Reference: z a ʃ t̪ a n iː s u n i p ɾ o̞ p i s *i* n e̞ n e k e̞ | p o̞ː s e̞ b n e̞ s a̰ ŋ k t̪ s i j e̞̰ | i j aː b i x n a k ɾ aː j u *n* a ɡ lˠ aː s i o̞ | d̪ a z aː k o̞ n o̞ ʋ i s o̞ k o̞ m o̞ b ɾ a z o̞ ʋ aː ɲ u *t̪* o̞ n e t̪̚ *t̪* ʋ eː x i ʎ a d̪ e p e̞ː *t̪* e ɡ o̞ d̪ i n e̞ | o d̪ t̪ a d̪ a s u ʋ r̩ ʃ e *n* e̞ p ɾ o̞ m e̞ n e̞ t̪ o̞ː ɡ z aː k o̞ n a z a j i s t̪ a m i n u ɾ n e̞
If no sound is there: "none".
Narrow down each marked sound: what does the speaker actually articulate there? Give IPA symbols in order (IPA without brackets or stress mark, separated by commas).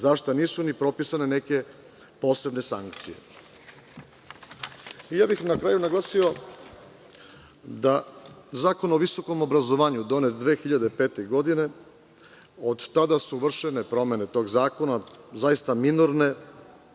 a, n, d̪, d̪, t̪, n